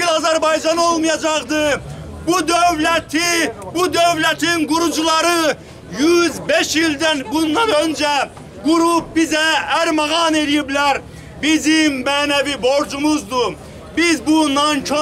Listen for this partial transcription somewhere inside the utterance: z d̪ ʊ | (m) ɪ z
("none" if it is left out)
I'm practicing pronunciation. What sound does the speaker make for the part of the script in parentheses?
b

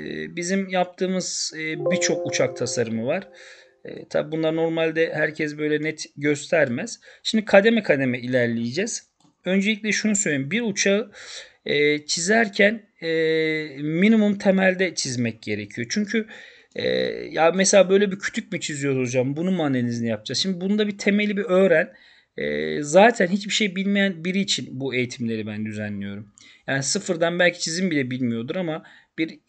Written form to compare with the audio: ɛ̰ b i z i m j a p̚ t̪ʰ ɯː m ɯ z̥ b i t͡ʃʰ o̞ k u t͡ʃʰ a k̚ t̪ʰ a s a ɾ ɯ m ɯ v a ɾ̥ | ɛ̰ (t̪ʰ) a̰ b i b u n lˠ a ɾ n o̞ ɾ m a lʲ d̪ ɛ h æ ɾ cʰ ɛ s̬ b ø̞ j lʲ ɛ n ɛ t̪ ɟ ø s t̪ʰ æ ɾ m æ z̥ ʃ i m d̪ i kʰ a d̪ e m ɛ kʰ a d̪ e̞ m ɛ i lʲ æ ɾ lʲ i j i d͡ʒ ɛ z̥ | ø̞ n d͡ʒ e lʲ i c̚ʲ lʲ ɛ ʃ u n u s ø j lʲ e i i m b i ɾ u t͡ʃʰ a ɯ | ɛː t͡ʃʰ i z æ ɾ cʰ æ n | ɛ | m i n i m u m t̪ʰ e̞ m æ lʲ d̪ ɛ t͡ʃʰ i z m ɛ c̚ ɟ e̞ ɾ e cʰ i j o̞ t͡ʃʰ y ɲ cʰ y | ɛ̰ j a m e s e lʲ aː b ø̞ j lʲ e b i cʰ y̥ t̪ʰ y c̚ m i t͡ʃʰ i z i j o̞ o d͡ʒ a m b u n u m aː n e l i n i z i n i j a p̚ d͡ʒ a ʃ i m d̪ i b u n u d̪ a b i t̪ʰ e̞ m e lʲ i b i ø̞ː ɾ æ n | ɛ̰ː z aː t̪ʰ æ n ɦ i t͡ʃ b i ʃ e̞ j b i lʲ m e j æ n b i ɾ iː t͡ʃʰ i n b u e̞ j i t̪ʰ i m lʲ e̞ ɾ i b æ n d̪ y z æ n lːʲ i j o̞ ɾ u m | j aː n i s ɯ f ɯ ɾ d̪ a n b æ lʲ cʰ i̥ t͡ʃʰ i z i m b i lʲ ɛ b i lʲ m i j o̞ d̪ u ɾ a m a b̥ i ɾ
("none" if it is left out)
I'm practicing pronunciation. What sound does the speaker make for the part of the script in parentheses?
t̪ʰ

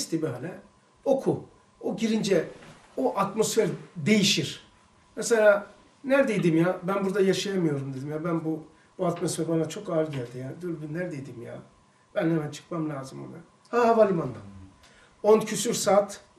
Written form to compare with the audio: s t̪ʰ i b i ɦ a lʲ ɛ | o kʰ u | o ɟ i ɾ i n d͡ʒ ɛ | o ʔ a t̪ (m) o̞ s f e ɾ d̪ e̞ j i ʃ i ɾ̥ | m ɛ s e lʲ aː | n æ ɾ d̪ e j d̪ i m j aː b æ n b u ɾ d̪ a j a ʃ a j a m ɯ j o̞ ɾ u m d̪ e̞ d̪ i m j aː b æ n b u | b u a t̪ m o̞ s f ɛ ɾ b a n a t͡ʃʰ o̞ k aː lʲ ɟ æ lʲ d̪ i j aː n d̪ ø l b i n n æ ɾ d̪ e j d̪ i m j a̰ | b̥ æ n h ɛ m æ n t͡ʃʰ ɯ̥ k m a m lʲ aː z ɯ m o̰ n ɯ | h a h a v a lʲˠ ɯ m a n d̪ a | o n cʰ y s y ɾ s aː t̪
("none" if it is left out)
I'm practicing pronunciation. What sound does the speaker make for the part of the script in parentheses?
m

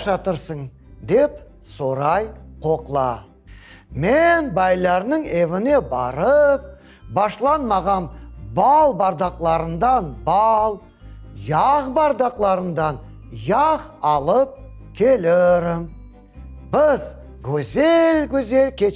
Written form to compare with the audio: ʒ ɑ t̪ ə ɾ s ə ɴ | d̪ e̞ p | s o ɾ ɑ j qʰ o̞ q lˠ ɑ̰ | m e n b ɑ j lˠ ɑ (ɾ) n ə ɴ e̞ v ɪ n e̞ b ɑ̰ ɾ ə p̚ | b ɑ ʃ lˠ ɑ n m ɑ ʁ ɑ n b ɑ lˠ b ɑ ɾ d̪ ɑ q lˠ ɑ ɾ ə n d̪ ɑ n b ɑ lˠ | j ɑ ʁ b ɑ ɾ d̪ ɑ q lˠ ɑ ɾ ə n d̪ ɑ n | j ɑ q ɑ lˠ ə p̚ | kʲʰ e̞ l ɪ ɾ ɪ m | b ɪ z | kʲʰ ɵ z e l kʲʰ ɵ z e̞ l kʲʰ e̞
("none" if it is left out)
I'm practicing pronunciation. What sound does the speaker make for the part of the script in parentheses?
ɾ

